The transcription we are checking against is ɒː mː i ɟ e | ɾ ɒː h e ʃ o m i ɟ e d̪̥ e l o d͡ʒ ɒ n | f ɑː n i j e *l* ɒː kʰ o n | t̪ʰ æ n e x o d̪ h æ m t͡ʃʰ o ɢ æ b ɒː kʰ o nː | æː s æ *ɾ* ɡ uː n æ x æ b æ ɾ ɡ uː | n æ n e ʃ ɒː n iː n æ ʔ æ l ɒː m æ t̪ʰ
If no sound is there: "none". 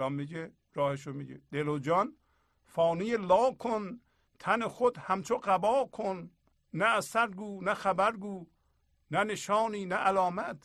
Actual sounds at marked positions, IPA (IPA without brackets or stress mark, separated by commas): l, ɾ